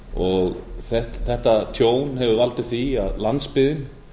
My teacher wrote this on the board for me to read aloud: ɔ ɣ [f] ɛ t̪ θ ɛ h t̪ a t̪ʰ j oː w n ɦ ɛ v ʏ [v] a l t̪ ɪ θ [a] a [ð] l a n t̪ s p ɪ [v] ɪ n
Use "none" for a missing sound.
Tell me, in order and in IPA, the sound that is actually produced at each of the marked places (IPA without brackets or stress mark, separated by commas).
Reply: θ, v, i, ð, ð